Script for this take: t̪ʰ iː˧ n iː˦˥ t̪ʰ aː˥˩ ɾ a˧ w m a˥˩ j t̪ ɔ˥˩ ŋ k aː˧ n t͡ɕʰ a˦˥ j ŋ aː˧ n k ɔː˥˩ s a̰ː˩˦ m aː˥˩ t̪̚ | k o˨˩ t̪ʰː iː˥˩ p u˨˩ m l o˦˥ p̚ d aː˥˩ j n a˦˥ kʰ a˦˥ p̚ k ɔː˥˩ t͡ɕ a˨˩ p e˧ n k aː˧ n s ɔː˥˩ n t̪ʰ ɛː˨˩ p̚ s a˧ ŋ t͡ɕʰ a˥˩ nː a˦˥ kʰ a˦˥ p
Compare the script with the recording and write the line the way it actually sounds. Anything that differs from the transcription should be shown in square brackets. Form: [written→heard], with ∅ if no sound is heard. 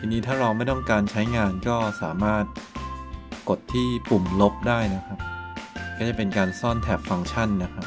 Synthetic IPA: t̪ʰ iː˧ n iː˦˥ t̪ʰ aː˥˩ ɾ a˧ w m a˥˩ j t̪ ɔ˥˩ ŋ k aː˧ n t͡ɕʰ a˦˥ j ŋ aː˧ n k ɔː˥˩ s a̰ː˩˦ m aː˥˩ t̪̚ | k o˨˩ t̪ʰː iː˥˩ p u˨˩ m l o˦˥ p̚ d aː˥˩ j n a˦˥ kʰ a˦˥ p̚ k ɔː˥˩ t͡ɕ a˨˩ p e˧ n k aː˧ n s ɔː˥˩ n t̪ʰ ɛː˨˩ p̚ [s→f] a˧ ŋ t͡ɕʰ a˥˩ nː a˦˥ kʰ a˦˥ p